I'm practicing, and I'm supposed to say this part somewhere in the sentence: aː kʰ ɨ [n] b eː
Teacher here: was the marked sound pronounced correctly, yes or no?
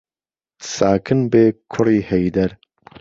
yes